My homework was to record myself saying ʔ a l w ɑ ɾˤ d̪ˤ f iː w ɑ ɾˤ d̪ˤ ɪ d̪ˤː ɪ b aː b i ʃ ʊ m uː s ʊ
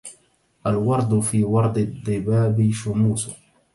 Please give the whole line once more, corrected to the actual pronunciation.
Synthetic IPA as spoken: ʔ a l w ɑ ɾˤ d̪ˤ f iː w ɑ ɾˤ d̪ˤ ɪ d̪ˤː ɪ b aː b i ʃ ʊ m uː s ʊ